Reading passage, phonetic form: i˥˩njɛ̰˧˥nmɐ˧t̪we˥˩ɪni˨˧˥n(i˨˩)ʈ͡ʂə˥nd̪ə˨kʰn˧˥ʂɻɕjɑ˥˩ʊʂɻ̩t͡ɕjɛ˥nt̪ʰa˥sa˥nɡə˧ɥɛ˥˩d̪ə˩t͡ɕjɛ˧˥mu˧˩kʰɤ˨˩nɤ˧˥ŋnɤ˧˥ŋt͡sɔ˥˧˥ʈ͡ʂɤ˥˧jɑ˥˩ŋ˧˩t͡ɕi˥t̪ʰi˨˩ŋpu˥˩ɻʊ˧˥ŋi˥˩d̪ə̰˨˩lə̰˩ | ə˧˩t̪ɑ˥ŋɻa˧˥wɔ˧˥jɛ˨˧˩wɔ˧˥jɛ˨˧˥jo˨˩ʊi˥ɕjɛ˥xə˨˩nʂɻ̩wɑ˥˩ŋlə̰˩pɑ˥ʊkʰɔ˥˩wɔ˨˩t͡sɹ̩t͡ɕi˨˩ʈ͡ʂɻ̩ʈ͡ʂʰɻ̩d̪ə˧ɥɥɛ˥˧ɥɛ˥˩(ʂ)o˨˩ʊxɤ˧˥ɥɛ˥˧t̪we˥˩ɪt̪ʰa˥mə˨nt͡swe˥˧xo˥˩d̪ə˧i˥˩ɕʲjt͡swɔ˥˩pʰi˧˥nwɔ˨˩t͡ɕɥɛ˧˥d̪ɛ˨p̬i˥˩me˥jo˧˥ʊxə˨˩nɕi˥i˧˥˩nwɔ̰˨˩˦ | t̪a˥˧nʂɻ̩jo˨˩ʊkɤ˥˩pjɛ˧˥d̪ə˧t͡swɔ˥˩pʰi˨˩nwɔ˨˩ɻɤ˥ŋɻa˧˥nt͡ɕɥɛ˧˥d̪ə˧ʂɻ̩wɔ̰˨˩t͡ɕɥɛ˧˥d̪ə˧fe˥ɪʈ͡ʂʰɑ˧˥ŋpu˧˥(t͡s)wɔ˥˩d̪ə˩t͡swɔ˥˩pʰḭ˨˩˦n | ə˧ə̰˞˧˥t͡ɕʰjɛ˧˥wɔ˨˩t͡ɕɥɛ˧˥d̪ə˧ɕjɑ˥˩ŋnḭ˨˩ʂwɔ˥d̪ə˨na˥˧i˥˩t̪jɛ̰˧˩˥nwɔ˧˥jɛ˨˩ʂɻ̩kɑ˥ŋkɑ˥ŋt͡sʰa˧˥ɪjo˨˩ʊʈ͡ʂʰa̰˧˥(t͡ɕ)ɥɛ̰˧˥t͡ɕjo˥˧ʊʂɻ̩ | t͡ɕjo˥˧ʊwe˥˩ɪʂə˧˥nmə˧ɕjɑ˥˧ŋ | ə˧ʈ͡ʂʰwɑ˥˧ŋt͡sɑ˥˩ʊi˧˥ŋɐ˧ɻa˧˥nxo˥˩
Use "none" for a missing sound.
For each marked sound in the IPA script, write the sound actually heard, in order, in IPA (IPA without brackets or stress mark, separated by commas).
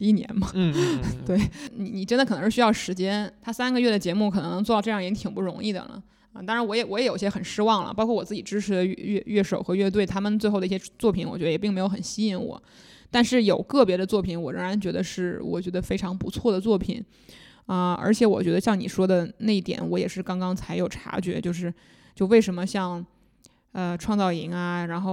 i˨˩, ʂ, t͡sʰ, t͡ɕ